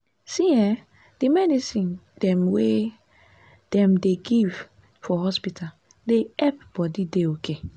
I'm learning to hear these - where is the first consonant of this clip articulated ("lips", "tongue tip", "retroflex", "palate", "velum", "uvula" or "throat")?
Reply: tongue tip